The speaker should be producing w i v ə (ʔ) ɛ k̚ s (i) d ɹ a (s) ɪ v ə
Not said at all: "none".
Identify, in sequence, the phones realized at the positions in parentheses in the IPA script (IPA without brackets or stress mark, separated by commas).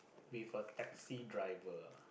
t, i, none